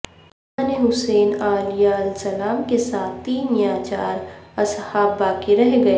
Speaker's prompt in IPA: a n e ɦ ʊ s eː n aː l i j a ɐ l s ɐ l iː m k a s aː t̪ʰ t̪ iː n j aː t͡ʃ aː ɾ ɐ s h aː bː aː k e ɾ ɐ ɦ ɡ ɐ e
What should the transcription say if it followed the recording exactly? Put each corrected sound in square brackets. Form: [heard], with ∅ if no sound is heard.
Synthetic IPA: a n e ɦ ʊ s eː n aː l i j a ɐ l s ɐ l [aː] m k [e] s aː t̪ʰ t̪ iː n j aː t͡ʃ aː ɾ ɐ s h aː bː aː k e ɾ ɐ ɦ ɡ ɐ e